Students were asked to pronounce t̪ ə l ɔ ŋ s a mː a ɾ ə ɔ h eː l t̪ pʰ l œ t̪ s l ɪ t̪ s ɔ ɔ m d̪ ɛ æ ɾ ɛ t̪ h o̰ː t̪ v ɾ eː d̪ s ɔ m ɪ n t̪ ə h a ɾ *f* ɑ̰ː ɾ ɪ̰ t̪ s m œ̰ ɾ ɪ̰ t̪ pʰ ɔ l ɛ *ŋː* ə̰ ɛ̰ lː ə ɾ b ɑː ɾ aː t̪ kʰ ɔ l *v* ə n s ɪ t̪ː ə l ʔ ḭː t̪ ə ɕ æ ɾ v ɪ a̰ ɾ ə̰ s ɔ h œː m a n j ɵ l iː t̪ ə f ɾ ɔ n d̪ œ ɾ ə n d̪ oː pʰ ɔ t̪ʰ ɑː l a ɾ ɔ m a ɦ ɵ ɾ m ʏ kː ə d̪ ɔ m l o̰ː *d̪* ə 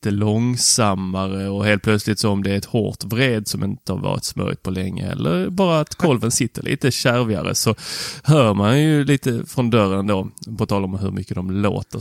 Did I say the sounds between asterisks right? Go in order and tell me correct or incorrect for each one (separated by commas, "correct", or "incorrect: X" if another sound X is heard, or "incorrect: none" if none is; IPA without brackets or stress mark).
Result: incorrect: v, correct, correct, incorrect: t̪